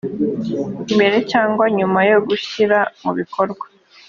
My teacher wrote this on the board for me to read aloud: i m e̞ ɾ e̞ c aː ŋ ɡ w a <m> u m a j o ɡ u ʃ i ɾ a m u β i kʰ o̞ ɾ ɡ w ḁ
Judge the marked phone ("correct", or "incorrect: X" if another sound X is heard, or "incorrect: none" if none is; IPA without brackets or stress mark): incorrect: ɲ